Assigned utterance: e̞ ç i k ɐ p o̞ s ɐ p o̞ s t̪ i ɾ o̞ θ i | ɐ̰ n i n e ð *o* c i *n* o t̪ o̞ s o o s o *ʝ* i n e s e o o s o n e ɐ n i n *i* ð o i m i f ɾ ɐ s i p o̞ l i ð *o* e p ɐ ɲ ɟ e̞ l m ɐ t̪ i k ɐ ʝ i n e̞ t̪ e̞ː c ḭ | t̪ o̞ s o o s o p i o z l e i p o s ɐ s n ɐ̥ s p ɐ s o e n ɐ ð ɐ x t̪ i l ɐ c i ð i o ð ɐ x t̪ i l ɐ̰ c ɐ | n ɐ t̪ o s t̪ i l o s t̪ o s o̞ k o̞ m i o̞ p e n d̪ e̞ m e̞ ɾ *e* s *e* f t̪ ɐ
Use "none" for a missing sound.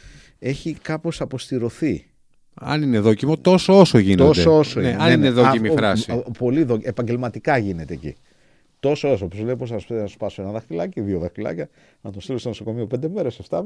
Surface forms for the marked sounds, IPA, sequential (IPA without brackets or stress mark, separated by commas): o, m, ʝ, e, o, e, e